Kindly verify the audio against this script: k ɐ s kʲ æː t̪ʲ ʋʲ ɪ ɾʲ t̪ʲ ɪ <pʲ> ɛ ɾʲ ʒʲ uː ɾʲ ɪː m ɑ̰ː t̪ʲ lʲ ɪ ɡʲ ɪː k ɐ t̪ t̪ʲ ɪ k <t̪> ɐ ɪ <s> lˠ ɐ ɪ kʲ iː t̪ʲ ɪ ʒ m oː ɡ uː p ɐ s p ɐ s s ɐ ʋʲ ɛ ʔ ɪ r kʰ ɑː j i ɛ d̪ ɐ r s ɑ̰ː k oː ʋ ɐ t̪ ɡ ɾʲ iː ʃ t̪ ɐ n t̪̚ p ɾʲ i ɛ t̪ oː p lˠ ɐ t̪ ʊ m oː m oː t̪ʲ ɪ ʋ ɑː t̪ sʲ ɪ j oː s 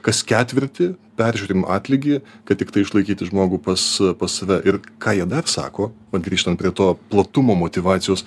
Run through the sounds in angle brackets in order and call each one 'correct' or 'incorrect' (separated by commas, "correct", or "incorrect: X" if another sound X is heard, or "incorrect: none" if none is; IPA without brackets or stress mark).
correct, correct, incorrect: ʃ